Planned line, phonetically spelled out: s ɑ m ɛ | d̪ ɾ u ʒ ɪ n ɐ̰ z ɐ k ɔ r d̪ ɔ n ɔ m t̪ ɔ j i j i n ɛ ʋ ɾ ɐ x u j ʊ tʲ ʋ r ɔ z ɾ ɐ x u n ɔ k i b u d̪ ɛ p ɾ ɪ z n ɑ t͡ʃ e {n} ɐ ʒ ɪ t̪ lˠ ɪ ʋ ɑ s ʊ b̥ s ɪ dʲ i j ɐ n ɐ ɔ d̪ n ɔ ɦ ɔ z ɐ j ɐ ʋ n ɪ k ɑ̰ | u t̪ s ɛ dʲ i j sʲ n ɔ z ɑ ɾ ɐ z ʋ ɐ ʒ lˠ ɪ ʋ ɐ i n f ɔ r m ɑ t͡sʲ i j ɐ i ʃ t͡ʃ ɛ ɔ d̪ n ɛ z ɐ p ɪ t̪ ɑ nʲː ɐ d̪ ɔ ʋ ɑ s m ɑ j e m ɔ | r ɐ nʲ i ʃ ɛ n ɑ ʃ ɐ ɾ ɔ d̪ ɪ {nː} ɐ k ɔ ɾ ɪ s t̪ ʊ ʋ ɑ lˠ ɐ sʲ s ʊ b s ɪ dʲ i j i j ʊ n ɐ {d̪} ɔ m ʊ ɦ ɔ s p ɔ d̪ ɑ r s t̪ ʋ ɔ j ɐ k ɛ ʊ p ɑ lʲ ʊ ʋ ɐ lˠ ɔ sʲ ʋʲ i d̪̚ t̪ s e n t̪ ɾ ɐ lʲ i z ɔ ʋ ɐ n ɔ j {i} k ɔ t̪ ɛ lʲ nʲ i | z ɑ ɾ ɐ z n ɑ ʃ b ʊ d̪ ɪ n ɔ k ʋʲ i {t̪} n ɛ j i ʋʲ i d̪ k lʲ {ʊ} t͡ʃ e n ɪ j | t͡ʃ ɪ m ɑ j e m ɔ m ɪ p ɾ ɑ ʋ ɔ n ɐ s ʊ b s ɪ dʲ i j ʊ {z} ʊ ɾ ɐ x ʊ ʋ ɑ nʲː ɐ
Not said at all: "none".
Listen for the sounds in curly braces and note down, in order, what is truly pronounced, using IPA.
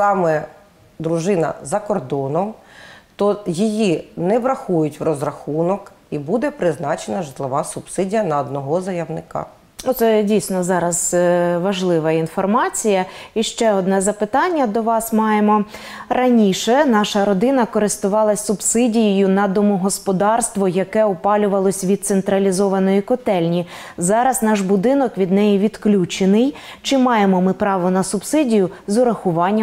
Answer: n, n, d̪, i, d̪, u, z

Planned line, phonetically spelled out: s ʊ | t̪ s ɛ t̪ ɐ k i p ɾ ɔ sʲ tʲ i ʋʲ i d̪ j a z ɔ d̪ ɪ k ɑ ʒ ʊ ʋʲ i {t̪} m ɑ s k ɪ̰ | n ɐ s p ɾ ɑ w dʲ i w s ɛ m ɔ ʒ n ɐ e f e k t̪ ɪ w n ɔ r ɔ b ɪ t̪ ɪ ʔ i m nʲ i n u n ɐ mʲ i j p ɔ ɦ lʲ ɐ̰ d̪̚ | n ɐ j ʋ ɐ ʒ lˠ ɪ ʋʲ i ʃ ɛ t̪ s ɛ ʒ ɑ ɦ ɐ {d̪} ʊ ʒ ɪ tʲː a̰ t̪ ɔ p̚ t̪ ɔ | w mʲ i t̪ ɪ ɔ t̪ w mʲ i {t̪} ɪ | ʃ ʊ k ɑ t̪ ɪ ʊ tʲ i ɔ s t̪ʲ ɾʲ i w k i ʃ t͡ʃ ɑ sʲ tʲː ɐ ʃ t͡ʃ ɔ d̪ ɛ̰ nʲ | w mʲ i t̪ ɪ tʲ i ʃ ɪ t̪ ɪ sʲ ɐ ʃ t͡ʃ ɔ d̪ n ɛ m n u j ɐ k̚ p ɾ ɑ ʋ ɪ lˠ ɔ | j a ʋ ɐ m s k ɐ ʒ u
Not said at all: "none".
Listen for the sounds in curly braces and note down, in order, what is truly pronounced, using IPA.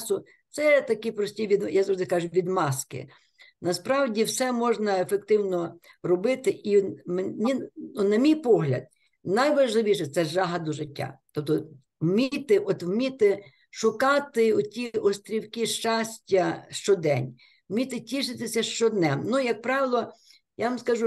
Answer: d̪, d̪, t̪

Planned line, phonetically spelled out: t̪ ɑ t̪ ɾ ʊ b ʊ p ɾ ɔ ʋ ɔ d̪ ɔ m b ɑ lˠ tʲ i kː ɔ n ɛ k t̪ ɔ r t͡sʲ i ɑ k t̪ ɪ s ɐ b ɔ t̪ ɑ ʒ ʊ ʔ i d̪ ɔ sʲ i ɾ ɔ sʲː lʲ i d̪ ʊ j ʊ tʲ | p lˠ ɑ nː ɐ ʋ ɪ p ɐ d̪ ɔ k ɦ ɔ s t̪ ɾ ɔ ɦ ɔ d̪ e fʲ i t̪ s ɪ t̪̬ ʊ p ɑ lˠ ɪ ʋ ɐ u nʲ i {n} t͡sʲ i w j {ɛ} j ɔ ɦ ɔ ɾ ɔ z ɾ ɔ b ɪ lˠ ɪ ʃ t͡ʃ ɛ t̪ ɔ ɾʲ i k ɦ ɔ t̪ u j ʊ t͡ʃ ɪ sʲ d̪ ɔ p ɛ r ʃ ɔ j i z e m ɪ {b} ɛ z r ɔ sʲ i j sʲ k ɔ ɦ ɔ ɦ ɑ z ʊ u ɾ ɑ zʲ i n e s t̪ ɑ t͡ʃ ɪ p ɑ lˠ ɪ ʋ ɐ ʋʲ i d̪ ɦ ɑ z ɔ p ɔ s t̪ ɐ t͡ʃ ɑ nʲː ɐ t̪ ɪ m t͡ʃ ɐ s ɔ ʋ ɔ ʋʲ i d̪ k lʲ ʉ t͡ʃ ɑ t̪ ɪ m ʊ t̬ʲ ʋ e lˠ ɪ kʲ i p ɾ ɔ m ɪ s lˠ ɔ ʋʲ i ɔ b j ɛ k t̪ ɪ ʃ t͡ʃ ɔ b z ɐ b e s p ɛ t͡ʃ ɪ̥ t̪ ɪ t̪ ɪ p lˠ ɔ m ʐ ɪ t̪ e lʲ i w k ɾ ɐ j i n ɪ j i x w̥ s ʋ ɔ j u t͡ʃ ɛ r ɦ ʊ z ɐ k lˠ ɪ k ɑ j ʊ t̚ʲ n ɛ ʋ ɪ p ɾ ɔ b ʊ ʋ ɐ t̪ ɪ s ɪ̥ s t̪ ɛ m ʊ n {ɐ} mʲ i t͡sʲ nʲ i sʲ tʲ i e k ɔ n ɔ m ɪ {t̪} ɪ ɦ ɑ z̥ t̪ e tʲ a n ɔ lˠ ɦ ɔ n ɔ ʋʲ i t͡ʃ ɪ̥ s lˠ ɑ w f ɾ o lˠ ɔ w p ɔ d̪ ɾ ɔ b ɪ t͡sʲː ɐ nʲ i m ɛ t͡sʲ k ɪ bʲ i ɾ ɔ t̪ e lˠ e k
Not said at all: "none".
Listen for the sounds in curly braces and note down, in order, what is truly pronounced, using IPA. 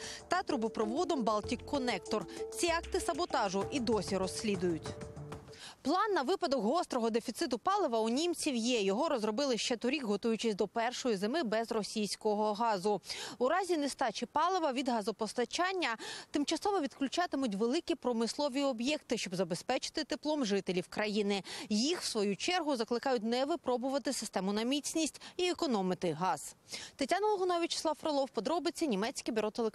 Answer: m, ɛ, b, ɐ, t̪

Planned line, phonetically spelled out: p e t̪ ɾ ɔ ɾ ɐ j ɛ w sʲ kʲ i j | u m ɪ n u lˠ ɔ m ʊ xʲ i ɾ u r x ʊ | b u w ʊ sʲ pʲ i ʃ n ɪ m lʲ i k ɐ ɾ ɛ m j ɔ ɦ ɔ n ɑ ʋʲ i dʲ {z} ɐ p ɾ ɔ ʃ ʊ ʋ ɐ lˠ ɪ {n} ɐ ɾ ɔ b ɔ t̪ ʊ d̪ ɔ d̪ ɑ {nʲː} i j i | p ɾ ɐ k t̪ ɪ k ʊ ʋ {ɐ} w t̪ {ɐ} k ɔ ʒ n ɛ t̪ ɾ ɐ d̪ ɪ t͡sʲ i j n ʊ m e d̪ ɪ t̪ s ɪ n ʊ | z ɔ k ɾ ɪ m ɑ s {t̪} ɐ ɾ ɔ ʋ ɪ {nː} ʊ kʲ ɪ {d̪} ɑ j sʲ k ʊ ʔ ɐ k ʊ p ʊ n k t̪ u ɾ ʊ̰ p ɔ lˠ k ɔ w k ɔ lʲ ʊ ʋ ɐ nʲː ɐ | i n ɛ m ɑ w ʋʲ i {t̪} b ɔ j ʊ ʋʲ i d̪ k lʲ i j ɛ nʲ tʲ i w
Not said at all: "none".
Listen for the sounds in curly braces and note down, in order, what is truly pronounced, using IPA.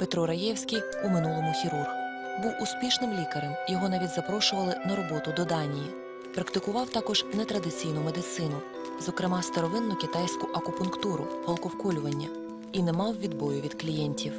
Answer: z, n, nʲ, ɑ, ɑ, t̪, nː, t̪, d̪

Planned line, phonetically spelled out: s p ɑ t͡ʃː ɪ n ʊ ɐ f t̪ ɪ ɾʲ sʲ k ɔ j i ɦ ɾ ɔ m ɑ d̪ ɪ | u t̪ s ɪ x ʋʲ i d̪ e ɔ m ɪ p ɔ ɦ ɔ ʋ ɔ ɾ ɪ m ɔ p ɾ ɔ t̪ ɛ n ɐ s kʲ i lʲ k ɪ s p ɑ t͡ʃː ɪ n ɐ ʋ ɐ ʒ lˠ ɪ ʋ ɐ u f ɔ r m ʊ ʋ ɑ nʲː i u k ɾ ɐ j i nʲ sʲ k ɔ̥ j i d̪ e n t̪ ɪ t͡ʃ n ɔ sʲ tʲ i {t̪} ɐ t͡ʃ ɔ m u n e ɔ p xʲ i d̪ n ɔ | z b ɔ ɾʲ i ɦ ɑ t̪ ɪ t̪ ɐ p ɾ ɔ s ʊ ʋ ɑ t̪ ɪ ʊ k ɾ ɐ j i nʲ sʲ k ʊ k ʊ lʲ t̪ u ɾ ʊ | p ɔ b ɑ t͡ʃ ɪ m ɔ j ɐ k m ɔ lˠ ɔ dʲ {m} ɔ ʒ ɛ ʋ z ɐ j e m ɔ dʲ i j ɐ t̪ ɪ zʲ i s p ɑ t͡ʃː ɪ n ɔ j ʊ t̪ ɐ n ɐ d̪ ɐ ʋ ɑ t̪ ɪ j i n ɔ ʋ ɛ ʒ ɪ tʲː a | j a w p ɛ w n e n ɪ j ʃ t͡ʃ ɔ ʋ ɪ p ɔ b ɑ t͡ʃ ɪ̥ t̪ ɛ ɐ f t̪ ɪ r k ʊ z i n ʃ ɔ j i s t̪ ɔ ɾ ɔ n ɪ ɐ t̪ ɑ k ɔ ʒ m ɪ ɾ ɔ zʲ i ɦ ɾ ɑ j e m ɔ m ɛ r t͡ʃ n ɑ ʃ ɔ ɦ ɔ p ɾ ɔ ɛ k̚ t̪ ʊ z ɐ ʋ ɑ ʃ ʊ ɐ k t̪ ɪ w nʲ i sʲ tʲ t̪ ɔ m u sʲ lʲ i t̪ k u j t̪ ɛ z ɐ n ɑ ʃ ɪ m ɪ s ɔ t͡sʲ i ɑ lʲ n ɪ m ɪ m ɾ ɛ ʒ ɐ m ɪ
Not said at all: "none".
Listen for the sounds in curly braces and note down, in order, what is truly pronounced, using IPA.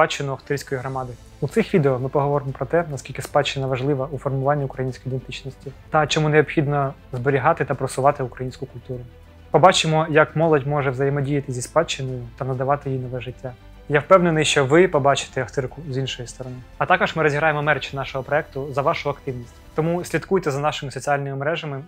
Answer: t̪, m

